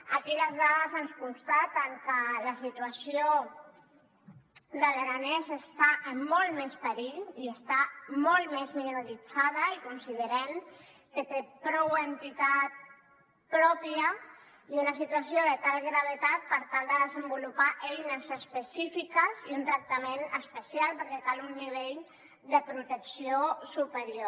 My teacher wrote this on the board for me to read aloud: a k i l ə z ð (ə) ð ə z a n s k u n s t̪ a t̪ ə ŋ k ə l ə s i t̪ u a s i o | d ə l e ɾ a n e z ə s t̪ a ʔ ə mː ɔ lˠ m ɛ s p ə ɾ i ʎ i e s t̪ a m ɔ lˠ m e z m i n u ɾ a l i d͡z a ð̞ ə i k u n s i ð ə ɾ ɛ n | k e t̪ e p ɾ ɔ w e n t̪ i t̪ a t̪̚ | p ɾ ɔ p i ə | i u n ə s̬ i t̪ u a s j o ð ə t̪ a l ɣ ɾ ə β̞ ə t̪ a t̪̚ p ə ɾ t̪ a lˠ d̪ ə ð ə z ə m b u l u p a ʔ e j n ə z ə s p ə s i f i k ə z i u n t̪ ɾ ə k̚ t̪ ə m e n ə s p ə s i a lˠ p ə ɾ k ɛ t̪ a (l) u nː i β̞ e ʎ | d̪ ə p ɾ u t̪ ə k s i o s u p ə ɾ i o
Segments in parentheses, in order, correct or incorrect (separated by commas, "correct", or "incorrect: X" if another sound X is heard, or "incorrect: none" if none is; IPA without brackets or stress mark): incorrect: a, correct